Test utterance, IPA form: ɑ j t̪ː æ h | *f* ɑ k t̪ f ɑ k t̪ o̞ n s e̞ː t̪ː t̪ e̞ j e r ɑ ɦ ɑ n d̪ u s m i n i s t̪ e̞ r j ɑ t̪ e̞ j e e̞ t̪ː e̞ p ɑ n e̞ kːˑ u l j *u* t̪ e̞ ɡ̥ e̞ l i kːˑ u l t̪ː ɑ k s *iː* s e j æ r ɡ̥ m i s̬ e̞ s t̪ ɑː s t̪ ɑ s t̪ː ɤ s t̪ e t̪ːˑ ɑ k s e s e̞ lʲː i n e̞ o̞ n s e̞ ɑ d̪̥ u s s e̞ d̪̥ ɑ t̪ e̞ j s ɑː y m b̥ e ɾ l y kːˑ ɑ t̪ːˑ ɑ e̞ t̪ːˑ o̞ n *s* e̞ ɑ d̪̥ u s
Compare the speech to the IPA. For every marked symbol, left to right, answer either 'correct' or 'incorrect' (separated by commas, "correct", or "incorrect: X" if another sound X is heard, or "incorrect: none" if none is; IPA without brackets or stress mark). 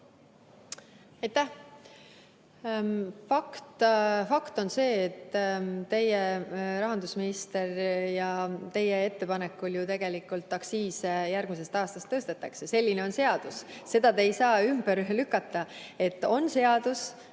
correct, correct, correct, correct